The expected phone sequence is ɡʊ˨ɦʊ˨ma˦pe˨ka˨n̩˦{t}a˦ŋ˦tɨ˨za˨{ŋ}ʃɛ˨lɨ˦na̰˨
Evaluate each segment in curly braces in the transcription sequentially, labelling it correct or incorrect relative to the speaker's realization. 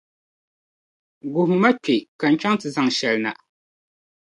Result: incorrect, correct

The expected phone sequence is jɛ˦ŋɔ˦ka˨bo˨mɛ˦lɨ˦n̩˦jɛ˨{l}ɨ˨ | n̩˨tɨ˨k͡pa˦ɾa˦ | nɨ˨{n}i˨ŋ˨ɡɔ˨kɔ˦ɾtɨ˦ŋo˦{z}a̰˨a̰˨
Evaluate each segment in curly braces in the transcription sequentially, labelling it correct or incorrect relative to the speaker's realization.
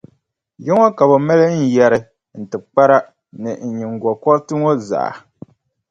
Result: incorrect, incorrect, correct

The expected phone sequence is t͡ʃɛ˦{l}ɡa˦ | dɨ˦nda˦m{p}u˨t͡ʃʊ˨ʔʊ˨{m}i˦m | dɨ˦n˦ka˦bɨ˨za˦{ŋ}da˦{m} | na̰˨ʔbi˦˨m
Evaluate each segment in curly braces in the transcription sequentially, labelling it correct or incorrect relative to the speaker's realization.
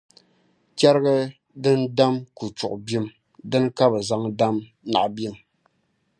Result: incorrect, incorrect, incorrect, correct, correct

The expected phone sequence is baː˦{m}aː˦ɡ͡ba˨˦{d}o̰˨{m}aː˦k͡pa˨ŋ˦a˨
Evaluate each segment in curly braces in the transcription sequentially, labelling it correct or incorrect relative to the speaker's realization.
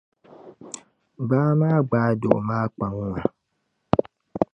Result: correct, correct, correct

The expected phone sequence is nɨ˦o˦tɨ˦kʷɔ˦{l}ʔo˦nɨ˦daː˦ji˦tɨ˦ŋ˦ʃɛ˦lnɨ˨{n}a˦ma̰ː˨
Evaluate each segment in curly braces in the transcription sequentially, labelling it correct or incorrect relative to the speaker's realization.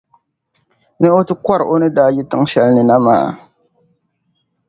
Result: incorrect, correct

